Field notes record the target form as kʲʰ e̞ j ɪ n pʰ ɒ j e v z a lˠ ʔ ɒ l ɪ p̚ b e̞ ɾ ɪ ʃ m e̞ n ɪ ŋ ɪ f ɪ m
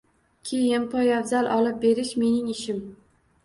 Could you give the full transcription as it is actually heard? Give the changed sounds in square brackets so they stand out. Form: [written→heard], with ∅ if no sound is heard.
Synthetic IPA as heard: kʲʰ e̞ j ɪ n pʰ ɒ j [e→a] v z a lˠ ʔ ɒ l ɪ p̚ b e̞ ɾ ɪ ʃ m e̞ n ɪ ŋ ɪ [f→ʃ] ɪ m